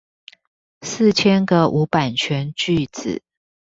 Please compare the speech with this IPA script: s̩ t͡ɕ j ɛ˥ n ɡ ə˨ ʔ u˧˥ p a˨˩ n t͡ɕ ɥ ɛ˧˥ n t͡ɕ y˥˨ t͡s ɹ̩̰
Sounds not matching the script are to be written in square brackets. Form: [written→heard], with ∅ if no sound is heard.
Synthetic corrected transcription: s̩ [t͡ɕ→t͡ɕʰ] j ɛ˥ n ɡ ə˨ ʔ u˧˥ p a˨˩ n [t͡ɕ→t͡ɕʰ] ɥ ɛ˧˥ n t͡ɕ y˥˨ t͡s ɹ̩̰